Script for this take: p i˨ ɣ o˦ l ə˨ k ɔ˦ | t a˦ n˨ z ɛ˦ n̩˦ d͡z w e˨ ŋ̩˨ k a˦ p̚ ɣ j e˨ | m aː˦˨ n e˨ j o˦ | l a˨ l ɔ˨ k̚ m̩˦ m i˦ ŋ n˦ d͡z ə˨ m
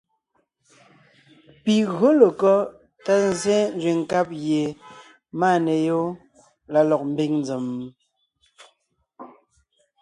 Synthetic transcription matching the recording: p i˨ ɣ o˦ l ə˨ k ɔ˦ | t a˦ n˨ z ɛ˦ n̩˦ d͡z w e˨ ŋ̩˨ k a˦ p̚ ɣ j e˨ | m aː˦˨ n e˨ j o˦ | l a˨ l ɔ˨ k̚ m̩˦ b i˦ ŋ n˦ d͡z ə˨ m